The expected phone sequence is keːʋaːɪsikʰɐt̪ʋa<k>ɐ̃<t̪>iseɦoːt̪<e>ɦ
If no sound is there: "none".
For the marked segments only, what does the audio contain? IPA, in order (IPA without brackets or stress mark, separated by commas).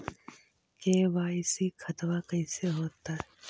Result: k, none, a